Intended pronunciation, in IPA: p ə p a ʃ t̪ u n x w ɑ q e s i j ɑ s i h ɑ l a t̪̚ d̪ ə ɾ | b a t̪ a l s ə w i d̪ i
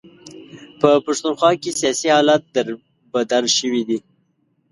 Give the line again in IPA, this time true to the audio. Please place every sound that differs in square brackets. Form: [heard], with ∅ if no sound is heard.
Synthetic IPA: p ə p a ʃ t̪ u n x w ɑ [k] e s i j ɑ s i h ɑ l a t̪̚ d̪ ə ɾ | b a [d̪] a l [ʃ] ə w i d̪ i